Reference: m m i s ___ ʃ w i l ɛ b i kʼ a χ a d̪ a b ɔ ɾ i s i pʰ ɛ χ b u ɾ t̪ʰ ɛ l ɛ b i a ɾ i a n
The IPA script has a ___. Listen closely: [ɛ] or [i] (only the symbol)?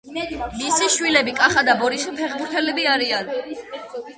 i